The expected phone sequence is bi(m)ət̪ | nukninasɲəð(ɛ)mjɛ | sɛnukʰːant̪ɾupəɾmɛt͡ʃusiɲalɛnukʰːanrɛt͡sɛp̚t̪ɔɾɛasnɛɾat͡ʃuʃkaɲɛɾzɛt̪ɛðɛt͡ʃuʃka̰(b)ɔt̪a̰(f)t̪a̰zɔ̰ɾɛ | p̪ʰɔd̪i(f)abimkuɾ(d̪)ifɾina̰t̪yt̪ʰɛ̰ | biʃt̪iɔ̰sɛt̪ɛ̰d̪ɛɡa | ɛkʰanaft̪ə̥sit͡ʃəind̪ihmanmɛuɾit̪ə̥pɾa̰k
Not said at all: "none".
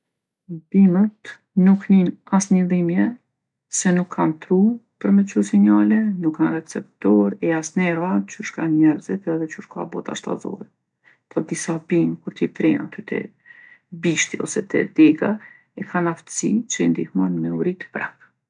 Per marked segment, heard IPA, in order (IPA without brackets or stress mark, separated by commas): m, i, b, ʃ, s, t̪